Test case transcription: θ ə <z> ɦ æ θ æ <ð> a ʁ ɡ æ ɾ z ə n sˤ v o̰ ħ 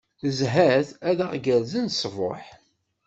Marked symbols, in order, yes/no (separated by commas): yes, yes